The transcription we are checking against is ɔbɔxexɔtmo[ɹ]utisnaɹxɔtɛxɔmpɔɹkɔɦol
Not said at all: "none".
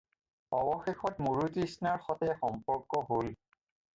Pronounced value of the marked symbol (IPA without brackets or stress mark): ɹ